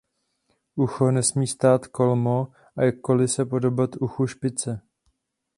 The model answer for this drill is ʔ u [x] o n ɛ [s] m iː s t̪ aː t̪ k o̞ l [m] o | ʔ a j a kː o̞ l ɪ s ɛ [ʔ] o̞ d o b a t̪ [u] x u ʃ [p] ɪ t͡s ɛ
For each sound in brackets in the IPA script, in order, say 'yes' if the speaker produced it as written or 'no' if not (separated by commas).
yes, yes, yes, no, yes, yes